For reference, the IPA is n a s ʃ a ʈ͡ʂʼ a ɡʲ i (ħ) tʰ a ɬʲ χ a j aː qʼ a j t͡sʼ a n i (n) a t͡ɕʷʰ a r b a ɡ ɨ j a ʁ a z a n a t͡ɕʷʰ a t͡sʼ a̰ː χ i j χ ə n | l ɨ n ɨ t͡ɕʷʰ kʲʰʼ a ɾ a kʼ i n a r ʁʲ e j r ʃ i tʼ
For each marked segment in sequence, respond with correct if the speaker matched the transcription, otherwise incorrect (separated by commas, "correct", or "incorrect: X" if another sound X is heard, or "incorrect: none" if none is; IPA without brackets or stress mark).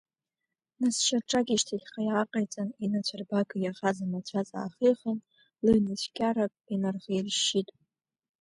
incorrect: ʃ, correct